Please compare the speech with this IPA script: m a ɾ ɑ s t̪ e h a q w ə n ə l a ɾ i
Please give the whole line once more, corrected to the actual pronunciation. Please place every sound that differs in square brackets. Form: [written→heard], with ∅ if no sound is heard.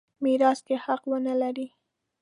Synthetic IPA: m [a→i] ɾ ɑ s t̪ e h a q w ə n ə l a ɾ i

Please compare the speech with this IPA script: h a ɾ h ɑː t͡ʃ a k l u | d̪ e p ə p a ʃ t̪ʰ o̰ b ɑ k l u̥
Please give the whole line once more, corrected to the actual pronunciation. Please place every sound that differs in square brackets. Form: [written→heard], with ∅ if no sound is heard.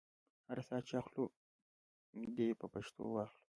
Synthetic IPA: h a ɾ [h→s] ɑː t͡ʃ a [k→x] l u | d̪ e p ə p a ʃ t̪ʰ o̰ [b→w] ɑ [k→x] l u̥

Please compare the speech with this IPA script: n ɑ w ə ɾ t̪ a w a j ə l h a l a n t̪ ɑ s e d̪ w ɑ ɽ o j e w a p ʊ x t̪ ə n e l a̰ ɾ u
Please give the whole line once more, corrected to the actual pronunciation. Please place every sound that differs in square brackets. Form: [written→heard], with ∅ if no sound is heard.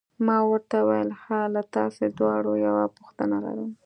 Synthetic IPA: [n→m] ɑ w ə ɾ t̪ a w a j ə l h a l a [n→∅] t̪ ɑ s e d̪ w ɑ ɽ o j [e→a] w a p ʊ x t̪ ə n [e→a] l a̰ ɾ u

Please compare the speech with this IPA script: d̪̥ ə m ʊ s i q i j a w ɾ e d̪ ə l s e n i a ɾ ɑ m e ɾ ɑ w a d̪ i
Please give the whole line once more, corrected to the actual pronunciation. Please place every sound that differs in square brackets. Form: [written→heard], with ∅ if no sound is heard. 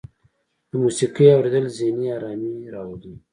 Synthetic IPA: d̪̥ ə m [ʊ→u] s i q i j a w ɾ e d̪ ə l [s→z] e n i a ɾ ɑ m [e→i] ɾ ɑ w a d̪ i

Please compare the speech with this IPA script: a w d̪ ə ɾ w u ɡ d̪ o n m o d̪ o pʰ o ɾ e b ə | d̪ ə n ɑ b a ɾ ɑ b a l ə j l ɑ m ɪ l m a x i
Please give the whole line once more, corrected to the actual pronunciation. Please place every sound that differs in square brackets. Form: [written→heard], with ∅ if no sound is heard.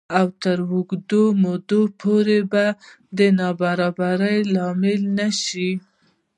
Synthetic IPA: a w [d̪→t̪] ə ɾ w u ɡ d̪ o [n→∅] m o d̪ o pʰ o ɾ e b [ə→a] | d̪ ə n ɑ b a ɾ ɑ b a [l→ɾ] ə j l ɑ m ɪ l [m→n] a [x→ʃ] i

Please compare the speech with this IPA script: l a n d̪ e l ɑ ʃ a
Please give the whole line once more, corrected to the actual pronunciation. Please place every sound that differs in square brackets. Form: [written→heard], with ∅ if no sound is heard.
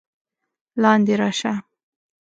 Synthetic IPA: l [a→ɑ] n d̪ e [l→ɾ] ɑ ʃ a

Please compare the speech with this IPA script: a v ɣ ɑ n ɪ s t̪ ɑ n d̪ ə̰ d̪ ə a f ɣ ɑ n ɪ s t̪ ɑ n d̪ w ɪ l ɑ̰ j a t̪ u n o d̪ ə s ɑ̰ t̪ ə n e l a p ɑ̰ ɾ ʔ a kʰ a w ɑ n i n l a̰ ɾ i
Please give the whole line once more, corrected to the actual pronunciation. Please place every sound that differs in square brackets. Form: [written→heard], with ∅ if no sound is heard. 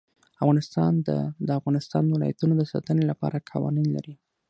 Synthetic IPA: a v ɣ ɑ n ɪ s t̪ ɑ n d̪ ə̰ d̪ ə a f ɣ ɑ n ɪ s t̪ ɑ n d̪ w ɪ l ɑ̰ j a t̪ u n o d̪ ə s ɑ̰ t̪ ə n e l a p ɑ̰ ɾ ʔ a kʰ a w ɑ n i n l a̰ ɾ i

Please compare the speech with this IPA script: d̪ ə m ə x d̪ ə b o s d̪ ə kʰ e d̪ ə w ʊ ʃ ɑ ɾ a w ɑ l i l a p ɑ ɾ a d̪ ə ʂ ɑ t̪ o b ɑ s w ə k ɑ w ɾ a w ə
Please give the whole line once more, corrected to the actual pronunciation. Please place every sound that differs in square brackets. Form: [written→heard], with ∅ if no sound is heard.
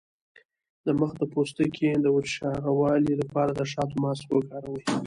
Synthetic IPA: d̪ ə m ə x d̪ ə [b→p] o s [d̪→t̪] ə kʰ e d̪ ə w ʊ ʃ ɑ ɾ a w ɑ l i l a p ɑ ɾ a d̪ ə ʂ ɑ t̪ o [b→m] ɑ s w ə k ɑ [w→∅] ɾ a w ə

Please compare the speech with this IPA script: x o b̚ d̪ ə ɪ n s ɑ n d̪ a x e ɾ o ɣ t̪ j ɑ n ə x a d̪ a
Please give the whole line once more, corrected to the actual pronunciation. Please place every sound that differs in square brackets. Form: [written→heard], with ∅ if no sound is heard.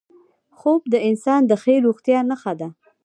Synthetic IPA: x o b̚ d̪ ə ɪ n s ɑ n d̪ [a→ə] x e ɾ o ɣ t̪ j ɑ n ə x a d̪ a

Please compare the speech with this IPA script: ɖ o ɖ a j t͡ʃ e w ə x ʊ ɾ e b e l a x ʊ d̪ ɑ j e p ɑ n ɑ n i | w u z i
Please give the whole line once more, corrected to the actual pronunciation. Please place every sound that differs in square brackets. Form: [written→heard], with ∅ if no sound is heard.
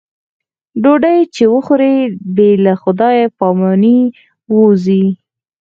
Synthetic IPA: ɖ o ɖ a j t͡ʃ e w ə x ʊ ɾ e b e l a x ʊ d̪ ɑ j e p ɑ [n→m] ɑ n i | w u z i

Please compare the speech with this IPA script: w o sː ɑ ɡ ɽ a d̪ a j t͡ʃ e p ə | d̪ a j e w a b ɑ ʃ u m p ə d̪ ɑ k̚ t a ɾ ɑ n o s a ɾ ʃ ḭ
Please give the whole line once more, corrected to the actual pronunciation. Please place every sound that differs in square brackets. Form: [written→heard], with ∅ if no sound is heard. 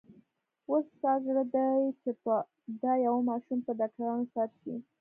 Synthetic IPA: w o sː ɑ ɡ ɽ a d̪ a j t͡ʃ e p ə | d̪ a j [e→a] w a [b→m] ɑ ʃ u m p ə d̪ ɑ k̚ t a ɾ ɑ n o s a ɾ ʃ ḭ

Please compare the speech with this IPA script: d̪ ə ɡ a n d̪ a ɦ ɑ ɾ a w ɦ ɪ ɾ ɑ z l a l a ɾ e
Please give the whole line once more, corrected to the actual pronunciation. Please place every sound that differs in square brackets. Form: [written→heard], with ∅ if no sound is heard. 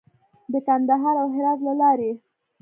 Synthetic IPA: d̪ ə [ɡ→k] a n d̪ a ɦ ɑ ɾ a w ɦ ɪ ɾ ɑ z l a l [a→ɑ] ɾ e

